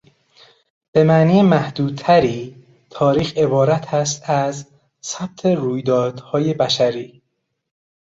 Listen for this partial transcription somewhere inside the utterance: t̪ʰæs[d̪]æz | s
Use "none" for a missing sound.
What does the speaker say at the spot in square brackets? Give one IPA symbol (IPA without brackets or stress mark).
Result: t̪